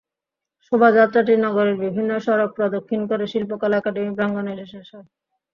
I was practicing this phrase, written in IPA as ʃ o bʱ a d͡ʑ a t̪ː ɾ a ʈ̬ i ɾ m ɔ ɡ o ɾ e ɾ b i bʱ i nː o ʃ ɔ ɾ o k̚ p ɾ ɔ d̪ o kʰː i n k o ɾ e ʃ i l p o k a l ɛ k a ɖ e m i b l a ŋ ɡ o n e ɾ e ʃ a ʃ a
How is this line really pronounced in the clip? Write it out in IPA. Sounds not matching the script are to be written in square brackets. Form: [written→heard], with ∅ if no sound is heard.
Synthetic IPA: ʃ o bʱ a d͡ʑ a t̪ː ɾ a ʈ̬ i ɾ [m→n] ɔ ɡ o ɾ e ɾ b i bʱ i nː o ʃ ɔ ɾ o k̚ p ɾ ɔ d̪ o kʰː i n k o ɾ e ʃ i l p o k a l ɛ k a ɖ e m i b [l→ɾ] a ŋ ɡ o n e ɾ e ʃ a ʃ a